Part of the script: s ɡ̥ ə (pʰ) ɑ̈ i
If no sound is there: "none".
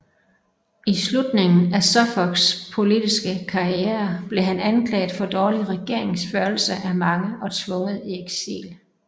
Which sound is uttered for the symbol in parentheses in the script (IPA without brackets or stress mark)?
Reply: kʰ